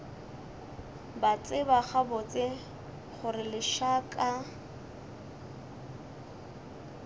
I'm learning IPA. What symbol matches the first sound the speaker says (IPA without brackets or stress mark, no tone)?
b